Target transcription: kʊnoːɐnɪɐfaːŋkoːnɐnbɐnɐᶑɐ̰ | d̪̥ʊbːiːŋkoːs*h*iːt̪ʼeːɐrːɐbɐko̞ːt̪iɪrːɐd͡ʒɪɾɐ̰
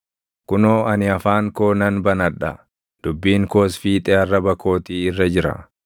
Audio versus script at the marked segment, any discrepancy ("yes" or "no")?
yes